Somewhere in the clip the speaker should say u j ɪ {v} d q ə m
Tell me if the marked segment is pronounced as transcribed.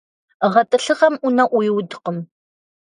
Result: no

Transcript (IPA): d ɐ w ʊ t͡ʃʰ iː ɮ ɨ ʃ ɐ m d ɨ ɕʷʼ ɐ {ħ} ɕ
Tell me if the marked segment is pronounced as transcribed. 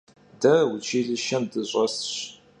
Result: no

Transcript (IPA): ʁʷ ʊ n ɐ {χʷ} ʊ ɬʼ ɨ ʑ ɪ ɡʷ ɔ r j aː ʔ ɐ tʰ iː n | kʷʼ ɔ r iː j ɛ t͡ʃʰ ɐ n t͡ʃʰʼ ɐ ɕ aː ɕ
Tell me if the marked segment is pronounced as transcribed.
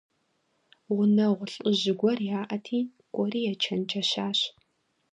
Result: no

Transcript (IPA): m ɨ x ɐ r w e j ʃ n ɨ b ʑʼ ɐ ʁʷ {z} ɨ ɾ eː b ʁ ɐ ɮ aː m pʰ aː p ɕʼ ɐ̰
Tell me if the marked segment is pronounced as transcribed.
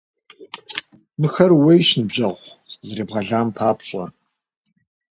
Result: yes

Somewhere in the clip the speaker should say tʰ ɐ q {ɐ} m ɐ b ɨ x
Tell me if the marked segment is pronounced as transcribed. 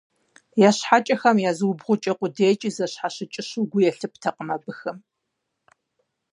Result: no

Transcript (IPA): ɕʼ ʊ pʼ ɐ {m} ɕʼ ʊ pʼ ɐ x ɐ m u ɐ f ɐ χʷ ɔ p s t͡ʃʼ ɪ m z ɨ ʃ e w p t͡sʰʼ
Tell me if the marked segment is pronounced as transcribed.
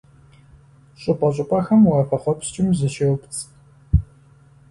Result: no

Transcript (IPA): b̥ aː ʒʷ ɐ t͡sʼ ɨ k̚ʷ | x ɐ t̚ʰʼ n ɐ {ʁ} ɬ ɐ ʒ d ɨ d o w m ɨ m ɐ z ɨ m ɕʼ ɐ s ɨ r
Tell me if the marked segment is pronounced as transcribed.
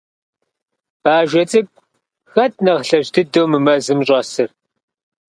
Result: yes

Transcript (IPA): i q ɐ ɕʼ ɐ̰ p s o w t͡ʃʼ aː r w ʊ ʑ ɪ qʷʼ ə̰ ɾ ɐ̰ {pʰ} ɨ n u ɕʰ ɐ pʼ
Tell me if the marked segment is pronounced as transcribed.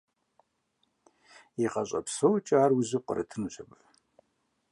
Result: no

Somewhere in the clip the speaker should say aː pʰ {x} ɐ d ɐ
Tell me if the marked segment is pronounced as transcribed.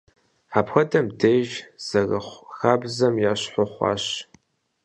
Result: yes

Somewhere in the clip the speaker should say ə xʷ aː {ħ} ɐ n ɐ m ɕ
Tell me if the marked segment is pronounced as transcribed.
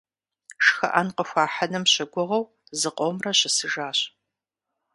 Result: yes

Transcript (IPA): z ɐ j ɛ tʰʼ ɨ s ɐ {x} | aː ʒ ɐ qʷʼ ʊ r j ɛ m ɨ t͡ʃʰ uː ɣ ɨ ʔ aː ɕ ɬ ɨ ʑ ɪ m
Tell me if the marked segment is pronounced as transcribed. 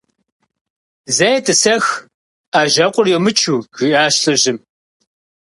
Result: yes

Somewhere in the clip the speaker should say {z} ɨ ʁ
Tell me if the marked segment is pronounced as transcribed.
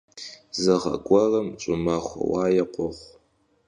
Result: yes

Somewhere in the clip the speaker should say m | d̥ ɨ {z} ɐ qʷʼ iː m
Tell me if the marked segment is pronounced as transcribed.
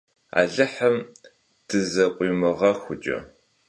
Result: yes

